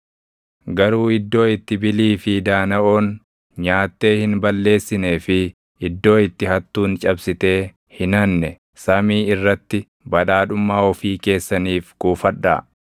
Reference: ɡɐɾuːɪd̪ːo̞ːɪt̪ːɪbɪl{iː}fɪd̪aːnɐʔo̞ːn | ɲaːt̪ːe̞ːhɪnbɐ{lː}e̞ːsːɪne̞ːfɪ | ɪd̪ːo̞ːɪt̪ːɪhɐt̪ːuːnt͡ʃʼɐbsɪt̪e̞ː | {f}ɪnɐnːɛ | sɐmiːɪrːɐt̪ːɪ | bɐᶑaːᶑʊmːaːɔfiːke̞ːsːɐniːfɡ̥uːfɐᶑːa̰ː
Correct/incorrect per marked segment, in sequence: correct, correct, incorrect: h

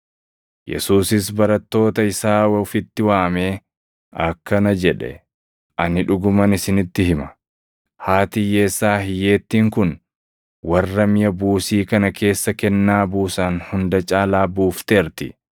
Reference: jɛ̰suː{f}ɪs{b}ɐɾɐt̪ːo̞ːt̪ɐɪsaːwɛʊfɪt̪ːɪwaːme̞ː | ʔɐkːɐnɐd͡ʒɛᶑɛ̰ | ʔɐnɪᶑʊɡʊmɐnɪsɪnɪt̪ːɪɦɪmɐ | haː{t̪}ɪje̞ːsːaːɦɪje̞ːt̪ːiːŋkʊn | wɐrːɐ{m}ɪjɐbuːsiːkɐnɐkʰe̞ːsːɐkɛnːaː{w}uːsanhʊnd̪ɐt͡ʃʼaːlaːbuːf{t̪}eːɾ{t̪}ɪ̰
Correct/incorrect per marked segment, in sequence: incorrect: s, correct, correct, correct, incorrect: b, correct, correct

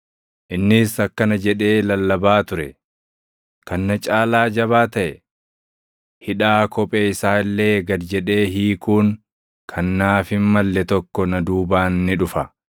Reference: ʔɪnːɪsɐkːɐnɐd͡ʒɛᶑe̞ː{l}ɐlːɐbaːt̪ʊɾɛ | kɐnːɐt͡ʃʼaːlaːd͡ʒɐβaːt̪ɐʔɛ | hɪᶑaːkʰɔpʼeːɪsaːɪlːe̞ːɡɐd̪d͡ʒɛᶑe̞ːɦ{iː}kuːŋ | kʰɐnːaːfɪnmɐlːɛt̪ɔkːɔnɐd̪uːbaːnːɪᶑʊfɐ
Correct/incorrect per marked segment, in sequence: correct, correct

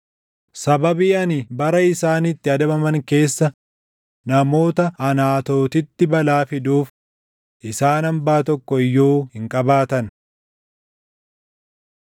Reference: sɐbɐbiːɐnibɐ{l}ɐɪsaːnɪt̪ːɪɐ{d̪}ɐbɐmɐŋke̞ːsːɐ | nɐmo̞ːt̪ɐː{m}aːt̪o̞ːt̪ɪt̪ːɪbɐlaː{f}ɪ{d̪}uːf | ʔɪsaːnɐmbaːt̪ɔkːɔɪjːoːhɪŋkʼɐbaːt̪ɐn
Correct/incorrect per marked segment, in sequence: incorrect: ɾ, correct, incorrect: n, correct, correct

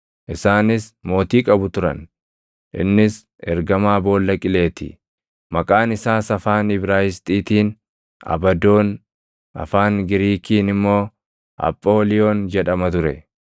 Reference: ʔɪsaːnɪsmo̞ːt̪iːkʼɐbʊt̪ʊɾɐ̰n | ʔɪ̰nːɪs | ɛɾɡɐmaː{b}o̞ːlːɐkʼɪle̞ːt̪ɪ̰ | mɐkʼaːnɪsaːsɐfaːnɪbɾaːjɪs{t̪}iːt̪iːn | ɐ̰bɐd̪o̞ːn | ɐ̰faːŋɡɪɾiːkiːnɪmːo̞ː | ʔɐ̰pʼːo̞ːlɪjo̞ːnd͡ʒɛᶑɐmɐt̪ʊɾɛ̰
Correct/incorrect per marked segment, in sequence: correct, incorrect: t̪ʼ

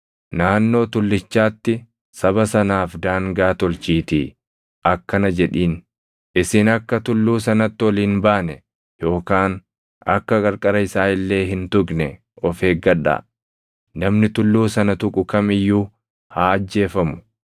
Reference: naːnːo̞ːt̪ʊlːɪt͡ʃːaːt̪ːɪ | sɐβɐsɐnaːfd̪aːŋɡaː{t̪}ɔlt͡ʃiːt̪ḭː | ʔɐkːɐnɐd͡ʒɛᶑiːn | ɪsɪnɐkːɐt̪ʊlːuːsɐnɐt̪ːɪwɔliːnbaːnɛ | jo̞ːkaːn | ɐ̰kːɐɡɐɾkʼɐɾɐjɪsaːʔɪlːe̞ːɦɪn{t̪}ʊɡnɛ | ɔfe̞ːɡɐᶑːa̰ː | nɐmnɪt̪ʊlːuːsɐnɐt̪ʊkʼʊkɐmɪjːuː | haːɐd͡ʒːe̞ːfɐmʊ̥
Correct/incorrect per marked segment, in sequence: correct, correct

